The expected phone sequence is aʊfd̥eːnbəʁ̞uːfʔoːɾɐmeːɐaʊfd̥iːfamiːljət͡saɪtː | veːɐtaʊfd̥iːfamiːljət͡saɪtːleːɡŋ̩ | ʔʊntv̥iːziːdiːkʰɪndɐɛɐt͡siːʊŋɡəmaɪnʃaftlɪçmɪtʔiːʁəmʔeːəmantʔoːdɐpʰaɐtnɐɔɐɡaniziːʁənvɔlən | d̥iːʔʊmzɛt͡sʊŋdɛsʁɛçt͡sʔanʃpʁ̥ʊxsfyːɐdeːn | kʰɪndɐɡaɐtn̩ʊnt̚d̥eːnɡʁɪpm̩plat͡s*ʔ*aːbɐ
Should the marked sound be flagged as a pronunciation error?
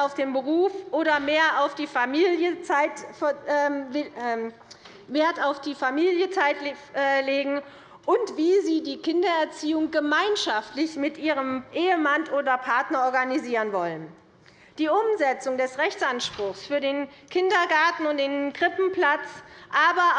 no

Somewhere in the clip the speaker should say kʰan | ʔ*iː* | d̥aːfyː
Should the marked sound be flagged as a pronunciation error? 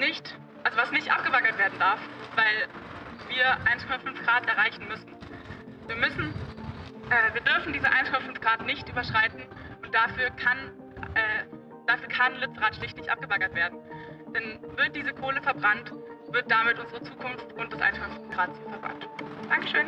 yes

